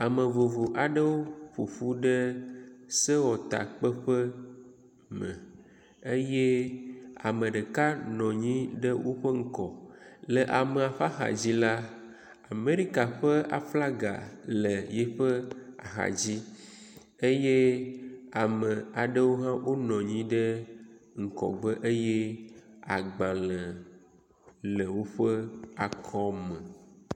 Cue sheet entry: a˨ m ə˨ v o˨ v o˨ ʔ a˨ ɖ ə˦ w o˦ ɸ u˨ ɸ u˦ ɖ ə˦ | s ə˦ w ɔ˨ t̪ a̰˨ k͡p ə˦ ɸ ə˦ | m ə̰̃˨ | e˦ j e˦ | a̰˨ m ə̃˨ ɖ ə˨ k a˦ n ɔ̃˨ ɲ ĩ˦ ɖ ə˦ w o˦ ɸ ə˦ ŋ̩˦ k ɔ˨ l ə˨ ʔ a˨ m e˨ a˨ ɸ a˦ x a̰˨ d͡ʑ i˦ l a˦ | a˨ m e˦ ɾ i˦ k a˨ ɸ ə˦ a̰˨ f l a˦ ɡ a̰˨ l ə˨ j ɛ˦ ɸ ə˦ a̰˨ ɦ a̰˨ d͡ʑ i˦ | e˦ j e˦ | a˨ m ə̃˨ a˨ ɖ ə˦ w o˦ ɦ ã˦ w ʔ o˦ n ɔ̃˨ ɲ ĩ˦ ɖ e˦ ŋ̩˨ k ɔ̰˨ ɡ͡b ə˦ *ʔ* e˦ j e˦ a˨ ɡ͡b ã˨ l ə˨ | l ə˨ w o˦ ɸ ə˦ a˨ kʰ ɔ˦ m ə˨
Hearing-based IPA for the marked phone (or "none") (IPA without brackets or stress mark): ʔ